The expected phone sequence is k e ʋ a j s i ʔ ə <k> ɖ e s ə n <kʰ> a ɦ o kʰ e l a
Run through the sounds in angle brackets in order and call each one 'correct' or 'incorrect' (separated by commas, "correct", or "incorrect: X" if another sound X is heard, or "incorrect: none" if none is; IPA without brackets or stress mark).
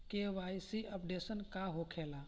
incorrect: p, incorrect: k